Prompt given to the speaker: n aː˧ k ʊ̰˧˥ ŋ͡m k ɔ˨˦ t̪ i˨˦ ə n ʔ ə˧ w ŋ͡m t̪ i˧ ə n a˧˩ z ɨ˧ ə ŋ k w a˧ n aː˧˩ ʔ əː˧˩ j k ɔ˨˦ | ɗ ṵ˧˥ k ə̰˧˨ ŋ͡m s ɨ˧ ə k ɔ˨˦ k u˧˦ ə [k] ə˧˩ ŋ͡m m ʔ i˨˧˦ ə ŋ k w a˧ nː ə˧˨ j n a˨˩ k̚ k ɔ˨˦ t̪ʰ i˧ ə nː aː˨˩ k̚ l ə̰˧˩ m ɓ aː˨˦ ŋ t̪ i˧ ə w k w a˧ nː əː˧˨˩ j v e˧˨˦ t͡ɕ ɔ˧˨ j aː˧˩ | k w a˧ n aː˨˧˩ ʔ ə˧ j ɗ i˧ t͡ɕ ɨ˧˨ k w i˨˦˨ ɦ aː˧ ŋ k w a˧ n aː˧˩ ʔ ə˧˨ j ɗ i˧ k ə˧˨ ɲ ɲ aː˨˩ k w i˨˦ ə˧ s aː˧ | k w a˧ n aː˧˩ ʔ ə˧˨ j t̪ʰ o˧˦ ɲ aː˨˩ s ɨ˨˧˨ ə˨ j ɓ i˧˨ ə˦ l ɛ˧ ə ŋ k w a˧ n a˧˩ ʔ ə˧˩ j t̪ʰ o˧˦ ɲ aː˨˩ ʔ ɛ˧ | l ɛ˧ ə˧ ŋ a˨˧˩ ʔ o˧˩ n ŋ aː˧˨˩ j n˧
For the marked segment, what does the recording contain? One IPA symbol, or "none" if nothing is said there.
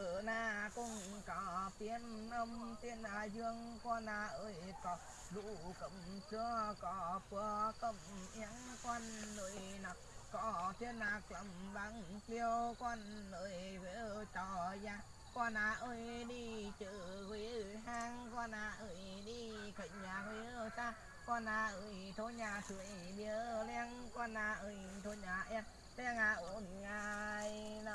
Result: k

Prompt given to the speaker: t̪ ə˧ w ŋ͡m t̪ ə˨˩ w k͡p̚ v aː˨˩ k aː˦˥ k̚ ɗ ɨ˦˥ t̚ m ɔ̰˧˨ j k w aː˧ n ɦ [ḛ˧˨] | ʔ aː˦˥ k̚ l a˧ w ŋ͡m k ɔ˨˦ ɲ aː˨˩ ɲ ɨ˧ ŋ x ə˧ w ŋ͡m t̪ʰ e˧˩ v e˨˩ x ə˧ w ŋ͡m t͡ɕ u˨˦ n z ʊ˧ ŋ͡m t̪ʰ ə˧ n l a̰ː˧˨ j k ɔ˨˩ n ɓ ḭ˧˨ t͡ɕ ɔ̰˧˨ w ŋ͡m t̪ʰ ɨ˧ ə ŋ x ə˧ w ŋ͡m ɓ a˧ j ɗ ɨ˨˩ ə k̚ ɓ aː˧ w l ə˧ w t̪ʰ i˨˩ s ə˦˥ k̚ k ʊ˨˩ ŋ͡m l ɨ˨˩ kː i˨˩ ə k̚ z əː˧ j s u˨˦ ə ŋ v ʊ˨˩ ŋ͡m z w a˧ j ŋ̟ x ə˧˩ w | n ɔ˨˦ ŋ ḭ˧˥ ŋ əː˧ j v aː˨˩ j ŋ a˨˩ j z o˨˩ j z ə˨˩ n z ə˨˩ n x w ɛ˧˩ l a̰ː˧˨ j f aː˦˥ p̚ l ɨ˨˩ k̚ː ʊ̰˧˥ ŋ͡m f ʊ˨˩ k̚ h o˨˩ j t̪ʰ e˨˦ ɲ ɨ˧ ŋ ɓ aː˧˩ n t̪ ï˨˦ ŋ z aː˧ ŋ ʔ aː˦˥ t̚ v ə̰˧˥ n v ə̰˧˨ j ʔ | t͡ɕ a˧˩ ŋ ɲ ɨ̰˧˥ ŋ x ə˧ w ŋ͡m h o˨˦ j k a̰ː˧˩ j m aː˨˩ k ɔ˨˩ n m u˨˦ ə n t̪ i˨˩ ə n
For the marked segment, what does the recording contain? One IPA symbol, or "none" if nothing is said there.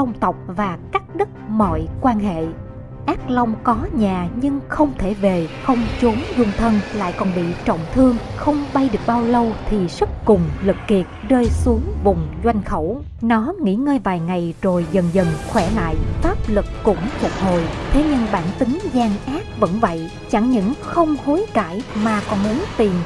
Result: ḛ˧˨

